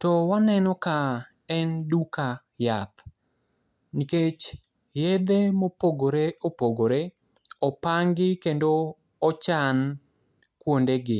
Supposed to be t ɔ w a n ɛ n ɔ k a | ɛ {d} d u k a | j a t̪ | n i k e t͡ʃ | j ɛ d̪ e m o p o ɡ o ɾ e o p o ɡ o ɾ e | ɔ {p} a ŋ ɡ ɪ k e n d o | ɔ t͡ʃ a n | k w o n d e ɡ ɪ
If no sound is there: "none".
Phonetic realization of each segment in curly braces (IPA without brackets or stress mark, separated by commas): n, p